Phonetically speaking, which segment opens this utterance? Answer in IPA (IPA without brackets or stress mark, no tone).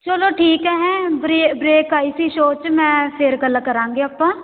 t͡ʃ